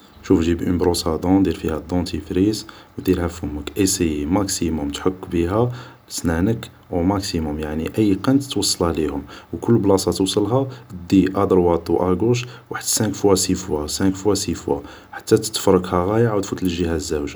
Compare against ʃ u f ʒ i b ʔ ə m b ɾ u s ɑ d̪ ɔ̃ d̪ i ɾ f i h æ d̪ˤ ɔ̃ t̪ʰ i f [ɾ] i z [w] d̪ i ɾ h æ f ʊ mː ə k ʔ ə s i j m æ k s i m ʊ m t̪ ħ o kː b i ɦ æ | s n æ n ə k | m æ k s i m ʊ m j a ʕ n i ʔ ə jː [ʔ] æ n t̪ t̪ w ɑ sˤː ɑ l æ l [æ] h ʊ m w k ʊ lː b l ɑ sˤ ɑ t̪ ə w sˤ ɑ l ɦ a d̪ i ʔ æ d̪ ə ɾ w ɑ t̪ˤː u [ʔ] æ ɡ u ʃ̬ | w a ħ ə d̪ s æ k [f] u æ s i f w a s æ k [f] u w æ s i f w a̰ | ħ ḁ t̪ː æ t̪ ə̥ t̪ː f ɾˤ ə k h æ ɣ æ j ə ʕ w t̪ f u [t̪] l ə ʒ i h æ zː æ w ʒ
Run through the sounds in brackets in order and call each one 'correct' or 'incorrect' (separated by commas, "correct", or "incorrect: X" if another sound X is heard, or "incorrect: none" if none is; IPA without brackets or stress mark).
correct, correct, incorrect: q, incorrect: i, correct, correct, correct, correct